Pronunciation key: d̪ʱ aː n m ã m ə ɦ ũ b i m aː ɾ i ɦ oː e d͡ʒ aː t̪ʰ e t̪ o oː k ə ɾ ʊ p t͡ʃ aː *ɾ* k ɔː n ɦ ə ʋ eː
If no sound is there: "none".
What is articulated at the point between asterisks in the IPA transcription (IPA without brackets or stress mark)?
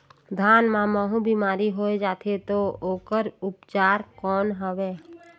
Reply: ɾ